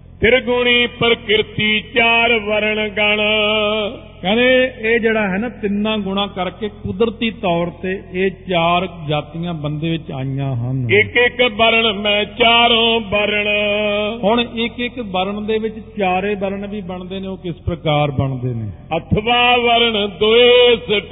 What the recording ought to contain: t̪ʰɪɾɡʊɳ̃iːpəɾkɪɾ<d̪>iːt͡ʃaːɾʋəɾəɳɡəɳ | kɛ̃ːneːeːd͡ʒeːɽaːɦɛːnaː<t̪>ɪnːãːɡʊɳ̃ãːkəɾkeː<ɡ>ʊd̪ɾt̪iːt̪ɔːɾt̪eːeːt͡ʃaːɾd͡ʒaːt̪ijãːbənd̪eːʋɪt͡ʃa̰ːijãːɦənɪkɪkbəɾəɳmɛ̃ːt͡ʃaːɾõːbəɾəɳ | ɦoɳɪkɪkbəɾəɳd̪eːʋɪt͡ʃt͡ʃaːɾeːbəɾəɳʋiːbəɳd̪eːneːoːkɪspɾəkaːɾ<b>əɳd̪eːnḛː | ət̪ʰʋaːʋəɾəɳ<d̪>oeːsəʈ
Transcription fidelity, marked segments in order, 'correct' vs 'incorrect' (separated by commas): incorrect, correct, incorrect, correct, correct